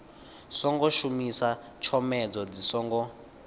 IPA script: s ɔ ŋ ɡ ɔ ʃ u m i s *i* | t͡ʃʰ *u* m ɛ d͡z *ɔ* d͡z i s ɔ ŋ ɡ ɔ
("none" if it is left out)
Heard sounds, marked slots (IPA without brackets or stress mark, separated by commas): a, ɔ, ɔ